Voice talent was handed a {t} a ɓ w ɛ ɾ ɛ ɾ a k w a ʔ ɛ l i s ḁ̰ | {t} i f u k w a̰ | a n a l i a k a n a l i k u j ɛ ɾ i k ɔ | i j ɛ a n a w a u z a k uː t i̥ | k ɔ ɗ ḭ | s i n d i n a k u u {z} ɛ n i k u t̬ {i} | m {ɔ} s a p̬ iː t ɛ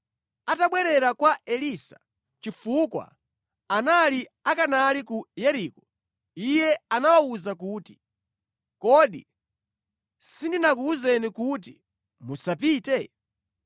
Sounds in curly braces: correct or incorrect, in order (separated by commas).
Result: correct, incorrect, correct, correct, incorrect